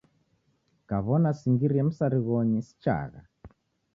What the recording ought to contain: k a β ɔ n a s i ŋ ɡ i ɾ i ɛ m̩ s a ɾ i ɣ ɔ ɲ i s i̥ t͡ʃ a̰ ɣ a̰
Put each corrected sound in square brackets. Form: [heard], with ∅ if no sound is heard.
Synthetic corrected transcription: k a β ɔ n a s i ŋ ɡ i ɾ i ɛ m̩ s a ɾ i ɣ ɔ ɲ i s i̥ t͡ʃ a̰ ɣ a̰